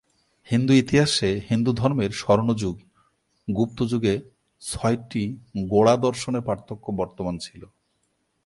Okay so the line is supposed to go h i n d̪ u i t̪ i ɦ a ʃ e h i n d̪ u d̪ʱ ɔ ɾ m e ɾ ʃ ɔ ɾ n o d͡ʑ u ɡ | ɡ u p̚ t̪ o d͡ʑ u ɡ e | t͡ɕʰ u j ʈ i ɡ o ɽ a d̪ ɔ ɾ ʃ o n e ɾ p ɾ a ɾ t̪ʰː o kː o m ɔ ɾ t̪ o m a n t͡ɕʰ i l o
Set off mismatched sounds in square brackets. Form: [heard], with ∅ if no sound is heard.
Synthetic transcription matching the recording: h i n d̪ u i t̪ i ɦ a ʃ e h i n d̪ u d̪ʱ ɔ ɾ m e ɾ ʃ ɔ ɾ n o d͡ʑ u ɡ | ɡ u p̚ t̪ o d͡ʑ u ɡ e | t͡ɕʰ [ɔ] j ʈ i ɡ o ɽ a d̪ ɔ ɾ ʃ o n e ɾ p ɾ a ɾ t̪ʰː o kː o [b] ɔ ɾ t̪ o m a n t͡ɕʰ i l o

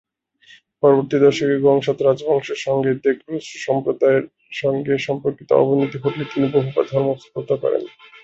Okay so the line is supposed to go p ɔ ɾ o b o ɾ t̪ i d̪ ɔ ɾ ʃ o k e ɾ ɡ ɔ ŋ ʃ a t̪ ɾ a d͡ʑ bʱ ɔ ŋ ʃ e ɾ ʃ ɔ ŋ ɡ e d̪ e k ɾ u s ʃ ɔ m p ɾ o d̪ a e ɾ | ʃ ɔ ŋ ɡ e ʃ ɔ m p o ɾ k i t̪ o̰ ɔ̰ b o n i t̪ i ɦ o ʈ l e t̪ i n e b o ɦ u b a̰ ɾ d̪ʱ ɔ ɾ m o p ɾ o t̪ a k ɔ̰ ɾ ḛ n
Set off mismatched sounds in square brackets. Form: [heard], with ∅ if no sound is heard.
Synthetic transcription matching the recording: p ɔ ɾ o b o ɾ t̪ i d̪ ɔ ɾ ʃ o k e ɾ ɡ ɔ ŋ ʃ a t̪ ɾ a d͡ʑ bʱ ɔ ŋ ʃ e ɾ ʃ ɔ ŋ ɡ e d̪ e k ɾ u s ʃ ɔ m p ɾ o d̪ a e ɾ | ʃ ɔ ŋ ɡ e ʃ ɔ m p o ɾ k i t̪ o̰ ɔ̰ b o n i t̪ i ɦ o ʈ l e t̪ i n [i] b o ɦ u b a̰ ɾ d̪ʱ ɔ ɾ m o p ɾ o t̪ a k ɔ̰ ɾ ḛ n

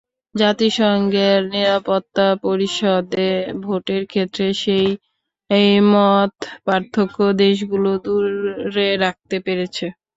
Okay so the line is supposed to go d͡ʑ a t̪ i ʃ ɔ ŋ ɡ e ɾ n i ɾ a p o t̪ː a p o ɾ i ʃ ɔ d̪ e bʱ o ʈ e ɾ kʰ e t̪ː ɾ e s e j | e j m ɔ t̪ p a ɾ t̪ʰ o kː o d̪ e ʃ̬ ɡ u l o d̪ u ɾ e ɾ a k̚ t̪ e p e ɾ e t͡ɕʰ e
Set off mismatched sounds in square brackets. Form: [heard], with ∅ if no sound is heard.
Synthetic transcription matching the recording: d͡ʑ a t̪ i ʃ ɔ ŋ ɡ e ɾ n i ɾ a p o t̪ː a p o ɾ i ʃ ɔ d̪ e bʱ o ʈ e ɾ kʰ e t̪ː ɾ e [ʃ] e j | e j m ɔ t̪ p a ɾ t̪ʰ o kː o d̪ e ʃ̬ ɡ u l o d̪ u ɾ e ɾ a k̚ t̪ e p e ɾ e t͡ɕʰ e

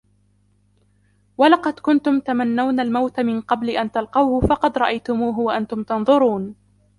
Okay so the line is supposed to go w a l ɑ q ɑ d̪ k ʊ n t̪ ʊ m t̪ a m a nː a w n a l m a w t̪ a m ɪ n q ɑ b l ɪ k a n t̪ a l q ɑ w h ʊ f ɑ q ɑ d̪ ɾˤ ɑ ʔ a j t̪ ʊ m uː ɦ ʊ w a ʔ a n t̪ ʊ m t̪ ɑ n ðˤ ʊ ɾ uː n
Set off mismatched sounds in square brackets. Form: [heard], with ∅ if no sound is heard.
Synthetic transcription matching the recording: w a l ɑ q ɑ d̪ k ʊ n t̪ ʊ m t̪ a m a nː a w n a l m a w t̪ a m ɪ n q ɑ b l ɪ [ʔ] a n t̪ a l q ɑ w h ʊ f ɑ q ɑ d̪ ɾˤ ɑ ʔ a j t̪ ʊ m uː ɦ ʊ w a ʔ a n t̪ ʊ m t̪ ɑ n ðˤ ʊ ɾ uː n

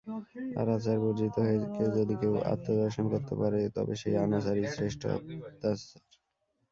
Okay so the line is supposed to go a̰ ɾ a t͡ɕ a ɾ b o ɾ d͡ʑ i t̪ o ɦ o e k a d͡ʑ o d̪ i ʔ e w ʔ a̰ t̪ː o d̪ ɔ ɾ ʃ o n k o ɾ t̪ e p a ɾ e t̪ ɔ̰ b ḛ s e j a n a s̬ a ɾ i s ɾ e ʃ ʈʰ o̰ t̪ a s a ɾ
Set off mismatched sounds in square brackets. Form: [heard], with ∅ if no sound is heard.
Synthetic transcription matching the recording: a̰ ɾ a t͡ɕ a ɾ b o ɾ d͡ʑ i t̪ o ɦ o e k [e] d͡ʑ o d̪ i [k] e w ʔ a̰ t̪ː o d̪ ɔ ɾ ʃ o n k o ɾ t̪ e p a ɾ e t̪ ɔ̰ b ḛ [ʃ] e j a n a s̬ a ɾ i s ɾ e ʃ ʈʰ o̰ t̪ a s a ɾ

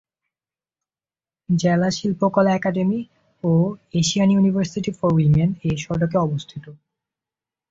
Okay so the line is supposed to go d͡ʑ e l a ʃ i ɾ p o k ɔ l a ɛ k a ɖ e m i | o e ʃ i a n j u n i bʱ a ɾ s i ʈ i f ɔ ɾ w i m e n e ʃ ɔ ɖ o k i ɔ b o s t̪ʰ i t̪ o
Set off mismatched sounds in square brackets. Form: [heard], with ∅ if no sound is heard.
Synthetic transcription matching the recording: d͡ʑ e l a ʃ i [l] p o k ɔ l a ɛ k a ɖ e m i | o e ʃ i a n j u n i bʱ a ɾ s i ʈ i f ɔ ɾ w i m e n e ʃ ɔ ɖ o k [e] ɔ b o s t̪ʰ i t̪ o

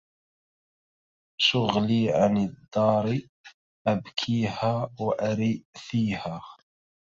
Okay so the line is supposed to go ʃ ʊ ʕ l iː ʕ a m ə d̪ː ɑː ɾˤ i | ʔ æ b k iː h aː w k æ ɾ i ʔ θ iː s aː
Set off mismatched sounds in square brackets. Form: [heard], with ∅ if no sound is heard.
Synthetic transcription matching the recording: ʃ ʊ [ɣ] l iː ʕ a [n] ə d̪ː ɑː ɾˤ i | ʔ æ b [kʰ] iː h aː w [ʔ] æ ɾ i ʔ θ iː [h] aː

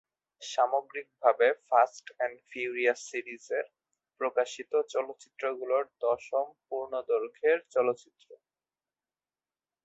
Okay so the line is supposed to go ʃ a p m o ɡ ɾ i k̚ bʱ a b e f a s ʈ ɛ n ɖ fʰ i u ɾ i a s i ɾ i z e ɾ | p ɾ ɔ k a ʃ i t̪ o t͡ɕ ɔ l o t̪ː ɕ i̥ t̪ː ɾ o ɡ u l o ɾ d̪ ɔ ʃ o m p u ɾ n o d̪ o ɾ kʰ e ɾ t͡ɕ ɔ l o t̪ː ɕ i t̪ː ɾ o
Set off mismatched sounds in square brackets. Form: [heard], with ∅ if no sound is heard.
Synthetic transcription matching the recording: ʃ a [∅] m o ɡ ɾ i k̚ bʱ a b e f a s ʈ ɛ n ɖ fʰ i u ɾ i a s i ɾ i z e ɾ | p ɾ [o] k a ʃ i t̪ o t͡ɕ ɔ l o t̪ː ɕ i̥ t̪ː ɾ o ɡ u l o ɾ d̪ ɔ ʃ o m p u ɾ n o d̪ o ɾ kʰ e ɾ t͡ɕ ɔ l o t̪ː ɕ i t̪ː ɾ o

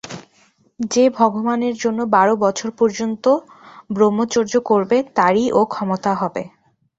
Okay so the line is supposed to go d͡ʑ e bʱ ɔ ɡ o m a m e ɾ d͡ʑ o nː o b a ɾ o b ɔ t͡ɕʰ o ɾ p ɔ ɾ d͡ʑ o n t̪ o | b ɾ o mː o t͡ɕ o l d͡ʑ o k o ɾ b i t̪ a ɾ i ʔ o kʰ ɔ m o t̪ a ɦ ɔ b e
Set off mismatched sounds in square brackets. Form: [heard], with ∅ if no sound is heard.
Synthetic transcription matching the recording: d͡ʑ e bʱ ɔ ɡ o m a [n] e ɾ d͡ʑ o nː o b a ɾ o b ɔ t͡ɕʰ o ɾ p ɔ ɾ d͡ʑ o n t̪ o | b ɾ o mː o t͡ɕ o [ɾ] d͡ʑ o k o ɾ b [e] t̪ a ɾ i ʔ o kʰ ɔ m o t̪ a ɦ ɔ b e

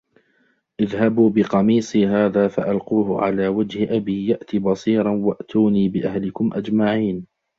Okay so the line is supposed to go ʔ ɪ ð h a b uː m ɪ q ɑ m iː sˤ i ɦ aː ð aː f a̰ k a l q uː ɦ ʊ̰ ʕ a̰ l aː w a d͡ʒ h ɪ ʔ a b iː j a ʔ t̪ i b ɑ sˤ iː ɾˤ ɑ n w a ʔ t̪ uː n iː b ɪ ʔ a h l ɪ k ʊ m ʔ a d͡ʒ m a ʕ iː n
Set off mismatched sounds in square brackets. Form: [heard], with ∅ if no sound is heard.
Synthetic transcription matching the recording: ʔ ɪ ð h a b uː [b] ɪ q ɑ m iː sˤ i ɦ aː ð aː f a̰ [ʔ] a l q uː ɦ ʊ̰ ʕ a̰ l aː w a d͡ʒ h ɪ ʔ a b iː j a ʔ t̪ i b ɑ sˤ iː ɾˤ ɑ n w a ʔ t̪ uː n iː b ɪ ʔ a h l ɪ k ʊ m ʔ a d͡ʒ m a ʕ iː n

